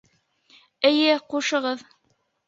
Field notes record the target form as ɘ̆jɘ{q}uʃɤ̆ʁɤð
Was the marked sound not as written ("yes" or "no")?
no